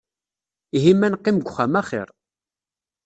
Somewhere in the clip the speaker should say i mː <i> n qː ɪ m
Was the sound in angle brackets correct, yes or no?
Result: no